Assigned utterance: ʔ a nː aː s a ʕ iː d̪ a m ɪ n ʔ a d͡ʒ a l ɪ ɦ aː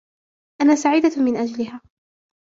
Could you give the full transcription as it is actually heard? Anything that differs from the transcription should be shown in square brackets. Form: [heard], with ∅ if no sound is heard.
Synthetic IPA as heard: ʔ a [n] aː s a ʕ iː d̪ a m ɪ n ʔ a d͡ʒ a l ɪ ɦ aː